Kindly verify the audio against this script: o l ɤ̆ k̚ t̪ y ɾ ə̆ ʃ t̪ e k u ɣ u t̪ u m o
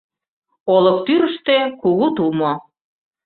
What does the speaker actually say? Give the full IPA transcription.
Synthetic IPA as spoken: o l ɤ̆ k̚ t̪ y ɾ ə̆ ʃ t̪ e k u ɣ u t̪ u m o